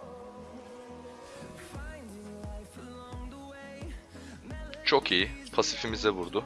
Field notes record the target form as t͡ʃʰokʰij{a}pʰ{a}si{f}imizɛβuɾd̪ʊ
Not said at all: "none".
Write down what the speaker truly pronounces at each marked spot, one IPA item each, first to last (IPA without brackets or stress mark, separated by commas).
i, a, f